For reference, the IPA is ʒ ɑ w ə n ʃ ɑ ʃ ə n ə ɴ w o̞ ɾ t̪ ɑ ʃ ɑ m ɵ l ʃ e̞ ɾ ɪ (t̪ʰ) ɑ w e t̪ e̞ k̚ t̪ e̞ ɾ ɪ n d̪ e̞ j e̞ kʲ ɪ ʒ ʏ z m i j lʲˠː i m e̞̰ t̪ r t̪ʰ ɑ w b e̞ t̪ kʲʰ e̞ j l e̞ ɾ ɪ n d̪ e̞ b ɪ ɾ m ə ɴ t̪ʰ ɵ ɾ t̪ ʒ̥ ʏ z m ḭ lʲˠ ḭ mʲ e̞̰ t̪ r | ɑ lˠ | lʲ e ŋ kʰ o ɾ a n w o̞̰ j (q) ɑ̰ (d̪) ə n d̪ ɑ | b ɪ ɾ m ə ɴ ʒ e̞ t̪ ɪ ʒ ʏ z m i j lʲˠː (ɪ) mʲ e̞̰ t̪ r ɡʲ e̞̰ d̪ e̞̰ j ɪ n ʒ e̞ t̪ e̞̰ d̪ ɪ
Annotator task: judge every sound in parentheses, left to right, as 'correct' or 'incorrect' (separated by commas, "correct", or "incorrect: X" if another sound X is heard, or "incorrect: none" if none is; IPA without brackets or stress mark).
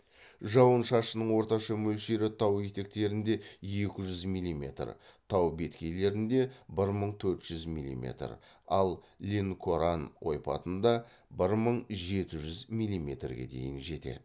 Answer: correct, incorrect: p, incorrect: t̪, incorrect: i